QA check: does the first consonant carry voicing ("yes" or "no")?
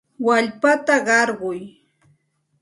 yes